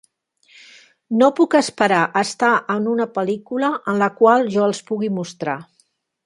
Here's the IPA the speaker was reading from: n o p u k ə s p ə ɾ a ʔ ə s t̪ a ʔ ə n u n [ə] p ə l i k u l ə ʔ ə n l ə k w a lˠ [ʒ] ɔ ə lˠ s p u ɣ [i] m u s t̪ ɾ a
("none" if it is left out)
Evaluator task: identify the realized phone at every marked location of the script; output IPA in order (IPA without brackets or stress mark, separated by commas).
ə, ʒ, i